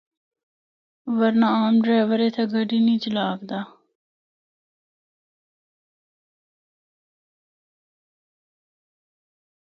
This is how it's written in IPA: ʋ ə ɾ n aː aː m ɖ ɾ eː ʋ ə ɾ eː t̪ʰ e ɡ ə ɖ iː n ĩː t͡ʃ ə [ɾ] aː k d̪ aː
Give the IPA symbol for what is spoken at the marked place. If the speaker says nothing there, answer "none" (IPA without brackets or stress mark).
l